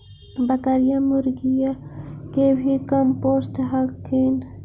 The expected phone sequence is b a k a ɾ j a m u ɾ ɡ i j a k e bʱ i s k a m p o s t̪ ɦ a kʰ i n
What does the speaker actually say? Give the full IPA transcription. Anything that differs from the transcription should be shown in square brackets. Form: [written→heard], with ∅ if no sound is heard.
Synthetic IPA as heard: b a k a ɾ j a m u ɾ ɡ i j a k e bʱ i [s→∅] k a m p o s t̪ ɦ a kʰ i n

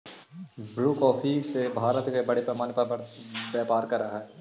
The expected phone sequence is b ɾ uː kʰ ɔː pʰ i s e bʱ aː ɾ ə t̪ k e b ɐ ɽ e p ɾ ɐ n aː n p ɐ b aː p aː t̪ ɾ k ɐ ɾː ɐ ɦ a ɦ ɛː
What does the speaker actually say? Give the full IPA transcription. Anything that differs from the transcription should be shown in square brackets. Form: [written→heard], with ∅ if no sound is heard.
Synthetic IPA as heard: b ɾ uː [kʰ→k] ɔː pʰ i s e bʱ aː ɾ ə t̪ k e b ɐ ɽ e p ɾ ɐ [n→m] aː n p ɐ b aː p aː [t̪→∅] ɾ k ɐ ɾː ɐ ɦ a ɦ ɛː

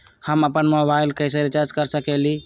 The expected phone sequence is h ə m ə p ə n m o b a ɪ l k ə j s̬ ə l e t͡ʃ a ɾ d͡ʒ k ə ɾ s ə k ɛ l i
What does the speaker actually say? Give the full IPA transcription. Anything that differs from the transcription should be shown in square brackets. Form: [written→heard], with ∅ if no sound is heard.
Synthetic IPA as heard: h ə m ə p ə n m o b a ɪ l k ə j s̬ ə [l→ɾ] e t͡ʃ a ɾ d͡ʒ k ə ɾ s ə k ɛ l i

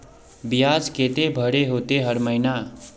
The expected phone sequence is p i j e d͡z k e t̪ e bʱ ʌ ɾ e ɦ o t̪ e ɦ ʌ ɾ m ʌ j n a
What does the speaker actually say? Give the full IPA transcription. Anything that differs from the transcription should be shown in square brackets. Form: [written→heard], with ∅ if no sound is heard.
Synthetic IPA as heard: [p→b] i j [e→a] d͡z k e t̪ e bʱ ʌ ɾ e ɦ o t̪ e ɦ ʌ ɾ m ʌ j n a

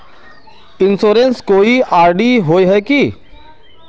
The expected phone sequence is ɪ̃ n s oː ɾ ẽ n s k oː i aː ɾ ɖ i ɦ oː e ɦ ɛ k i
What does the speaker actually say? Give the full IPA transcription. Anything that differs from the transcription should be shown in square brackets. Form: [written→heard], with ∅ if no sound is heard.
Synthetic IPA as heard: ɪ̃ n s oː ɾ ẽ n s k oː i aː ɾ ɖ i ɦ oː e ɦ ɛ k i

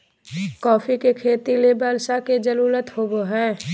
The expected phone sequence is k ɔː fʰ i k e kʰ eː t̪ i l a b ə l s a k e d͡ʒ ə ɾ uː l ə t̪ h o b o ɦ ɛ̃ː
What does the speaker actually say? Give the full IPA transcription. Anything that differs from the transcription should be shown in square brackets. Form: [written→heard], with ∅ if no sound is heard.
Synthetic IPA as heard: k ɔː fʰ i k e kʰ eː t̪ i l [a→e] b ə l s a k e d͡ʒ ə ɾ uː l ə t̪ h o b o ɦ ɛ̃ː

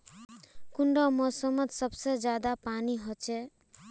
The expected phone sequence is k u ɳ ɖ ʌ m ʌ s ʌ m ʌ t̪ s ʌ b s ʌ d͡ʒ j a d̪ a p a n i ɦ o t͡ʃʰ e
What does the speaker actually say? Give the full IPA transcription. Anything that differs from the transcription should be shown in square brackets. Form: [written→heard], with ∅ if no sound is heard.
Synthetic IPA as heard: k u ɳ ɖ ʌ m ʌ s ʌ m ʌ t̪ s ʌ b s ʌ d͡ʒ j a d̪ a p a n i ɦ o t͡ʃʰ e

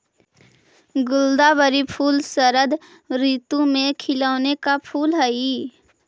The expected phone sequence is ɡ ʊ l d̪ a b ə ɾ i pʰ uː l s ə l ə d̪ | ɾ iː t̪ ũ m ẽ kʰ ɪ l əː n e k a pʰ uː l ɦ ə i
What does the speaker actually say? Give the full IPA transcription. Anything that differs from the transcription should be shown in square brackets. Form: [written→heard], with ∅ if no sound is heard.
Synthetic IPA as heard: ɡ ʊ l d̪ a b ə ɾ i pʰ uː l s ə [l→ɾ] ə d̪ | ɾ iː t̪ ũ m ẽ kʰ ɪ l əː n e k a pʰ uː l ɦ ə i

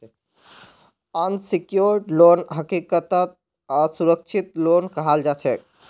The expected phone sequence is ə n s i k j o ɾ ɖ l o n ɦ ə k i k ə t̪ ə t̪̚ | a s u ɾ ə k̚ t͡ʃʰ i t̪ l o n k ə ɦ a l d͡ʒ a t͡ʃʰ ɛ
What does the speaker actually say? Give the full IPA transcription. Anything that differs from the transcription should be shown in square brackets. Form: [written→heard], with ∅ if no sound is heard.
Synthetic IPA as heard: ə n s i k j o ɾ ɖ l o n ɦ ə k i k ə t̪ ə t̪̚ | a s u ɾ ə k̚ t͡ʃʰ i t̪ l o n k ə ɦ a l d͡ʒ a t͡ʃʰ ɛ

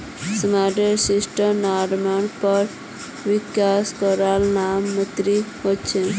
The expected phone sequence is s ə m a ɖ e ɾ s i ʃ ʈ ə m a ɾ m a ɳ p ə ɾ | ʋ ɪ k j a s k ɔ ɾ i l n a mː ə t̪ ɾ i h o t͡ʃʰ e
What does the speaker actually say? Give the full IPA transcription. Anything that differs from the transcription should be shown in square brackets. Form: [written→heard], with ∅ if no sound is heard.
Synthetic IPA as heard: s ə m a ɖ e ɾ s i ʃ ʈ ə [m→n] a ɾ m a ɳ p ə ɾ | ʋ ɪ k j a s k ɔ ɾ [i→a] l n a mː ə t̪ ɾ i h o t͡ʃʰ e

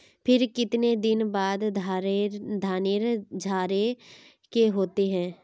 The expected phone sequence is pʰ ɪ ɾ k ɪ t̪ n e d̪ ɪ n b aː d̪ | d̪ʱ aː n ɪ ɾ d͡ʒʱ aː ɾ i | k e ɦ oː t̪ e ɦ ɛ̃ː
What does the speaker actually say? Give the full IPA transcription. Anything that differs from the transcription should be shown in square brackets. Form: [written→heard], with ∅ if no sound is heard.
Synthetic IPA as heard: pʰ ɪ ɾ k ɪ t̪ n e d̪ ɪ n b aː d̪ | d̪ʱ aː n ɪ ɾ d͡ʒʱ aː ɾ [i→e] | k e ɦ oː t̪ e ɦ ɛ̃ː

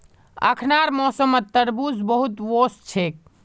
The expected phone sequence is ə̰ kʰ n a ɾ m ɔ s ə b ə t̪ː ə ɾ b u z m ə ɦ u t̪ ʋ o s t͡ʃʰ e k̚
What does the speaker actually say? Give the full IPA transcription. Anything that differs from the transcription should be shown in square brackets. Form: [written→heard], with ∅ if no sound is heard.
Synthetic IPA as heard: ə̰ kʰ n a ɾ m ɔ s ə [b→m] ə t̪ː ə ɾ b u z [m→b] ə ɦ u t̪ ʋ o s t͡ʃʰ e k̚

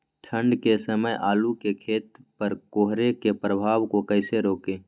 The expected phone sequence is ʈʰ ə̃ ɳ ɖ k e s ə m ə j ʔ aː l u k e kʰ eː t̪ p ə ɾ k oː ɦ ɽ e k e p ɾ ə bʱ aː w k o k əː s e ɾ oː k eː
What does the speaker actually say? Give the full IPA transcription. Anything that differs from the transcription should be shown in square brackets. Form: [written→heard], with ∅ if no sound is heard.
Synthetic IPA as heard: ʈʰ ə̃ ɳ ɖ k e s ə m ə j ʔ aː l u k e kʰ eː t̪ p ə ɾ k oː ɦ [ɽ→ɾ] e k e p ɾ ə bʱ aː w k o k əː s e ɾ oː k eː

